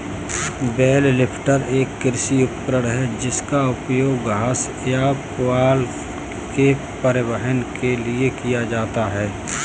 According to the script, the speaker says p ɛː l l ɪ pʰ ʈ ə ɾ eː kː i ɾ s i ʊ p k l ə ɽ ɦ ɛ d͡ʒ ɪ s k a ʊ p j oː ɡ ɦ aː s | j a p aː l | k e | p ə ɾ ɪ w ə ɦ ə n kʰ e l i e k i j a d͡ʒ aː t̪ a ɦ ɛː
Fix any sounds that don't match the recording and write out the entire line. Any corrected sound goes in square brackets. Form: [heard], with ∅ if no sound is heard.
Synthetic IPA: [b] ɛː l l ɪ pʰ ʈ ə ɾ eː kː [ɪ] ɾ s i ʊ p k [ɾ] ə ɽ ɦ ɛ d͡ʒ ɪ s k a ʊ p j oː ɡ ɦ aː s | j a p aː l | k e | p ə ɾ ɪ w ə ɦ ə n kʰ e l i e k i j a d͡ʒ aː t̪ a ɦ ɛː

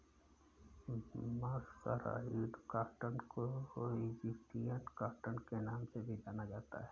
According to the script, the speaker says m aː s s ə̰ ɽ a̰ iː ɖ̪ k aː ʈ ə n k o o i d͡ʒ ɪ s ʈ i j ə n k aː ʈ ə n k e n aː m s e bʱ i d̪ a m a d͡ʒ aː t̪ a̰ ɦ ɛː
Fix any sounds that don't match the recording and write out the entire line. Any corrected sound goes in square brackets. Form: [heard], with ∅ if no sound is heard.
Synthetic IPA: m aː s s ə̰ [ɾ] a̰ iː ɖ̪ k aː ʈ ə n k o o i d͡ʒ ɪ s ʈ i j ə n k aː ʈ ə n k e n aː m s e bʱ i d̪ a [n] a d͡ʒ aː t̪ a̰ ɦ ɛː

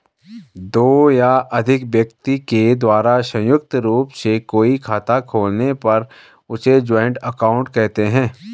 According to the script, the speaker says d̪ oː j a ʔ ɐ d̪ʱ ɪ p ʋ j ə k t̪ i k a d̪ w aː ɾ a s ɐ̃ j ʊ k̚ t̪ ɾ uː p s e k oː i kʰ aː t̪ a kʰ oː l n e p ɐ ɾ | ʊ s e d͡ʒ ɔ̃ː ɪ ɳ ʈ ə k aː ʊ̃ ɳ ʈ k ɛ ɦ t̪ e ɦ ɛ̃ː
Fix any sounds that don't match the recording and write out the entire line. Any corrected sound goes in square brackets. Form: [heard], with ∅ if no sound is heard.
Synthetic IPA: d̪ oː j a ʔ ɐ d̪ʱ ɪ [k] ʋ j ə k t̪ i k [e] d̪ w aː ɾ a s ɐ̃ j ʊ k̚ t̪ ɾ uː p s e k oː i kʰ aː t̪ a kʰ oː l n e p ɐ ɾ | ʊ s e d͡ʒ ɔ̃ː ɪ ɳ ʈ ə k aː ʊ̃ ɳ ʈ k ɛ ɦ t̪ e ɦ ɛ̃ː

